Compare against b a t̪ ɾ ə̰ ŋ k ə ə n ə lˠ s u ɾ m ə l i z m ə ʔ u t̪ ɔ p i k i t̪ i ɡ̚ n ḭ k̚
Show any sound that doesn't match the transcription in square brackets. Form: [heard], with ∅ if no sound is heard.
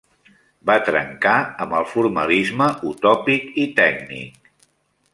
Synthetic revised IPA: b a t̪ ɾ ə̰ ŋ k [a] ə [m] ə lˠ [f] u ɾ m ə l i z m ə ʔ u t̪ ɔ p i k i t̪ [ɛ] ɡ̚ n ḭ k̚